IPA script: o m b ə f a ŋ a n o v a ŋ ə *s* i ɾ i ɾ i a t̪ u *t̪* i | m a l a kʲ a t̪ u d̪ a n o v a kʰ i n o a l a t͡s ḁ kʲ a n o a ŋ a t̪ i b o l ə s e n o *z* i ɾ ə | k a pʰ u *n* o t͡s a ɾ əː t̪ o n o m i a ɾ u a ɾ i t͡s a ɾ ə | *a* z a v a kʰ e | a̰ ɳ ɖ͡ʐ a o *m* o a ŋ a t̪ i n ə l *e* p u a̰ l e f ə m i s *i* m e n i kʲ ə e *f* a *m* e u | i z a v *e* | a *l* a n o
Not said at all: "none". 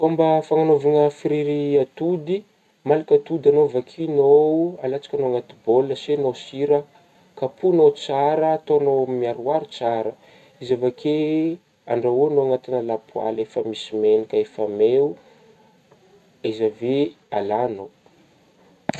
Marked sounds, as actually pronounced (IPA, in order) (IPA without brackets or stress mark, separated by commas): f, d̪, s, n, i, n, a, i, f, m, e, l